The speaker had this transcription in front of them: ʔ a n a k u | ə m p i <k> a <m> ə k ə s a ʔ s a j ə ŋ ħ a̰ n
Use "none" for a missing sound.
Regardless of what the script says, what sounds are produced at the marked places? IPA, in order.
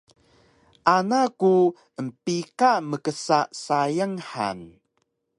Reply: k, m

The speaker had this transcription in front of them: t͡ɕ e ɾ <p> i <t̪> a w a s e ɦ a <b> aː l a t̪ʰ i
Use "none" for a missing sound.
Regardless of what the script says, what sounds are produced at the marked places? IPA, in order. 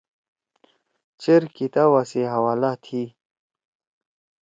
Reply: k, t̪, w

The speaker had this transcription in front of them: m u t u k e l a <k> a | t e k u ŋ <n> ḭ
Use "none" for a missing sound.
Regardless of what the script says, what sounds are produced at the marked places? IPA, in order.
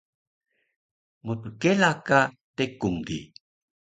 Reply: k, d

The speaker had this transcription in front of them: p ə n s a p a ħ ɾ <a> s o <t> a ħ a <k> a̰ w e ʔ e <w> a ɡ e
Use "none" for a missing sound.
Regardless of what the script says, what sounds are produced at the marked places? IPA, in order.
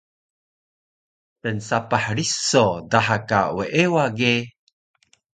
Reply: i, d, k, w

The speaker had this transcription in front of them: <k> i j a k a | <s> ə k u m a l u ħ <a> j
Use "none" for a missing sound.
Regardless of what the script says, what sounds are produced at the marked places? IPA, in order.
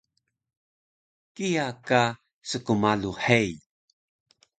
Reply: k, s, e

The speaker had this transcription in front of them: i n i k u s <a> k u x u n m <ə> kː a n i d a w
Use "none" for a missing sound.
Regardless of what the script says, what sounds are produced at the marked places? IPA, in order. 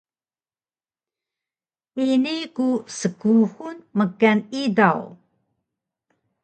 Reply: ə, ə

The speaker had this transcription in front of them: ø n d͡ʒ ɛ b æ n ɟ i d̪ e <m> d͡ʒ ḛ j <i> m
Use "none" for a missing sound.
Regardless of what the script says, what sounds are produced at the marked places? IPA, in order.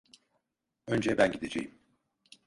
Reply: none, i

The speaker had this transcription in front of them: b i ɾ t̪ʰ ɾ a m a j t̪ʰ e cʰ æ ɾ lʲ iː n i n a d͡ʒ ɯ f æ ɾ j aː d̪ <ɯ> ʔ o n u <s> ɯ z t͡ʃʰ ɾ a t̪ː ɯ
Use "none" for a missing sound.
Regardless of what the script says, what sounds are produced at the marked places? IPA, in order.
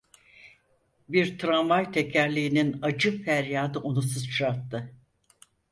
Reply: ɯ, s

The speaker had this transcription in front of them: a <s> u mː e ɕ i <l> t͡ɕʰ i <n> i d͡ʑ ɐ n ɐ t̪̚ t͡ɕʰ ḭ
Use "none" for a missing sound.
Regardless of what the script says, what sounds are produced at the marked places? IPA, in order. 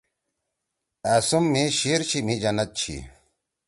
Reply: s, ɾ, m

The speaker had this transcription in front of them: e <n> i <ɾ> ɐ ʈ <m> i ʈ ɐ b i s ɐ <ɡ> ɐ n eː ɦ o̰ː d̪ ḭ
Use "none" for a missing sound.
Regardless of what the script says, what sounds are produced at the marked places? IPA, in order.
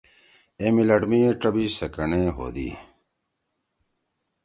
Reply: m, l, m, k

